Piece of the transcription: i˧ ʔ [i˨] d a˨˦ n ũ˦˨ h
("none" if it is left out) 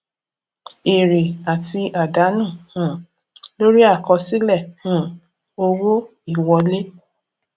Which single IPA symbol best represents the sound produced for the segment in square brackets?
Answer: a˨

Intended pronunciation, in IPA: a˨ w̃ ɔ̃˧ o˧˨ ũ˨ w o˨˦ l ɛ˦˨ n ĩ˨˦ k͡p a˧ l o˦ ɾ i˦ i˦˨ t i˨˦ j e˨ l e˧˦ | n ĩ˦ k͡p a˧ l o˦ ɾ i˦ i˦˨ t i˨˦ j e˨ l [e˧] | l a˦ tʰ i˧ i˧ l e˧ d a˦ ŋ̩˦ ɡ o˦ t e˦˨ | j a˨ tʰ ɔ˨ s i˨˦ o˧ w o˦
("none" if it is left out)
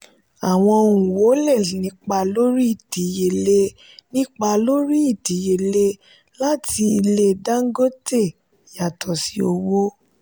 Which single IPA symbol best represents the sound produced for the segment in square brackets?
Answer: e˧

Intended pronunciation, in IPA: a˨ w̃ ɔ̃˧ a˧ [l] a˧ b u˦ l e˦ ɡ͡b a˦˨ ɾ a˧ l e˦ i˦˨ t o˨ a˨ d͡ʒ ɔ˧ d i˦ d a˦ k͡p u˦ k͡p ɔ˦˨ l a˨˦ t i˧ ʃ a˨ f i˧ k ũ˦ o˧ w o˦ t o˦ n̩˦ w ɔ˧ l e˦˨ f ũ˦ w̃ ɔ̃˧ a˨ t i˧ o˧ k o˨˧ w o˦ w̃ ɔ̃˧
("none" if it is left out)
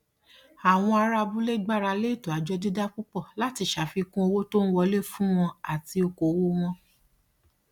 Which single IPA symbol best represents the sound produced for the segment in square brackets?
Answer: ɾ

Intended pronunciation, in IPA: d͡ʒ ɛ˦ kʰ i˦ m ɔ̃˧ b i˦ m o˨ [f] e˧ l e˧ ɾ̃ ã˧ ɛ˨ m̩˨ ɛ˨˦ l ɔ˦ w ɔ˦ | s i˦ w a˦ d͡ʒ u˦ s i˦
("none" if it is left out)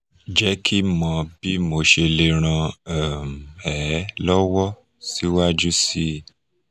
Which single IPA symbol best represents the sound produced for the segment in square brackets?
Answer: ʃ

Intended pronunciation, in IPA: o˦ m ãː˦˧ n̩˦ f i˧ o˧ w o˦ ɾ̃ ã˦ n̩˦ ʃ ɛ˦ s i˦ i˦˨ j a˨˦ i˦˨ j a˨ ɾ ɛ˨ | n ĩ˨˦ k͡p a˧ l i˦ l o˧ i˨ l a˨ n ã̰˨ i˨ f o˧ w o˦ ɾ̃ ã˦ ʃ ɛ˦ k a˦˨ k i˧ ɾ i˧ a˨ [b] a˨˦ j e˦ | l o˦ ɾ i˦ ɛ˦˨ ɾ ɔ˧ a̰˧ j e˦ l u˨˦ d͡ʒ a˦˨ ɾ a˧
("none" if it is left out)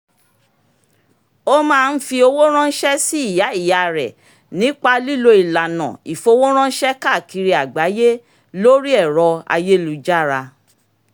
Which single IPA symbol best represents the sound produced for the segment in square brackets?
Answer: ɡ͡b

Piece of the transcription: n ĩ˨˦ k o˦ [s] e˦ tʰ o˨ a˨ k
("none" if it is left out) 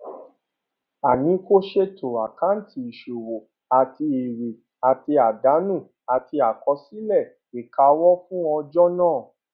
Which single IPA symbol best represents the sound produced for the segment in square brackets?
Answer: ʃ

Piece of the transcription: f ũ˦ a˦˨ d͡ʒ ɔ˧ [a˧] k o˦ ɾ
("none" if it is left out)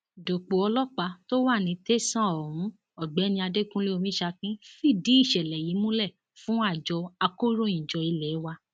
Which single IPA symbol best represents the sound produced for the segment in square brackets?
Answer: a˧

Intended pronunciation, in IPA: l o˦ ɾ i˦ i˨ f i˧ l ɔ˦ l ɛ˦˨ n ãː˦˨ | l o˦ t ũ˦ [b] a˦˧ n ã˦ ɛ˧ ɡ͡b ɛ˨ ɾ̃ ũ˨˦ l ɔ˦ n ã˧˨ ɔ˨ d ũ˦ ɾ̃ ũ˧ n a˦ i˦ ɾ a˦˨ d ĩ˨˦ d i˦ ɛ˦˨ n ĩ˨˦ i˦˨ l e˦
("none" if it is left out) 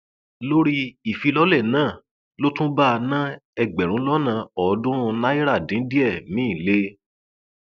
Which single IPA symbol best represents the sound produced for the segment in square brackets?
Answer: b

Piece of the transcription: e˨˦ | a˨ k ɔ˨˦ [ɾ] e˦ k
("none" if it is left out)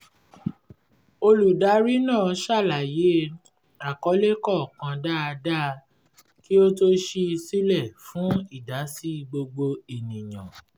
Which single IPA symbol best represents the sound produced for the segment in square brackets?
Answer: l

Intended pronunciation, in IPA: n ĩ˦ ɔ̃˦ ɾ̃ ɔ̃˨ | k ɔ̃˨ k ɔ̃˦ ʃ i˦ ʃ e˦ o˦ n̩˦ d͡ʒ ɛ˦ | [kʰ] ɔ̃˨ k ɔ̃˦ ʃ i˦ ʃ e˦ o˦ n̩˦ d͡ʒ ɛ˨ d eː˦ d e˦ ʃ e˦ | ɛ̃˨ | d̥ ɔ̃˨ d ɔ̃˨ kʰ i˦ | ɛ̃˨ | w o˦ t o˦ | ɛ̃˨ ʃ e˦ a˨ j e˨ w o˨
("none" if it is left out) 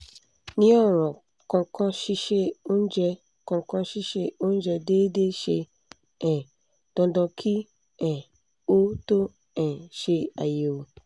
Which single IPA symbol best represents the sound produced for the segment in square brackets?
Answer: k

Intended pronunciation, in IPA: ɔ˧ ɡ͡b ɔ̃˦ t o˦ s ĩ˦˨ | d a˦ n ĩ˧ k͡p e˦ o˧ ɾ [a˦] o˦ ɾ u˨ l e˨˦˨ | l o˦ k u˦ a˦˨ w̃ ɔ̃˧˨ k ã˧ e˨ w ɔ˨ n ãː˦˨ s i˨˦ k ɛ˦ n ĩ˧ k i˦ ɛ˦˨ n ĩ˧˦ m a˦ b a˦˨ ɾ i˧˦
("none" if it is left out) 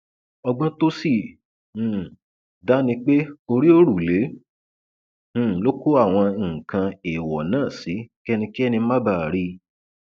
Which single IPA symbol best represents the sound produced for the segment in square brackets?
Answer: i˦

